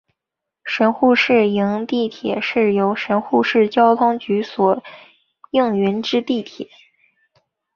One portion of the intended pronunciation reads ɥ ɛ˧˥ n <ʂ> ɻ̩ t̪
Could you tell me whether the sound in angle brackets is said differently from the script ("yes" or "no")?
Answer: yes